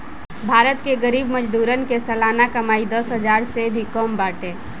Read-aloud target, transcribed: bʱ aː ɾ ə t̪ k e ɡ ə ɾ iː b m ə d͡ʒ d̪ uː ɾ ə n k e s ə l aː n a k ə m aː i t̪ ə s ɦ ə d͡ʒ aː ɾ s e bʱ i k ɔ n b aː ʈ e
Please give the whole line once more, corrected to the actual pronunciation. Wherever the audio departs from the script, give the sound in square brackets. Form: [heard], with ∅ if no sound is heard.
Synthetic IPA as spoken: bʱ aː ɾ ə t̪ k e ɡ ə ɾ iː b m ə d͡ʒ d̪ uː ɾ ə n k e s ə l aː n a k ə m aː i [d̪] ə s ɦ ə d͡ʒ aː ɾ s e bʱ i k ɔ [m] b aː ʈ e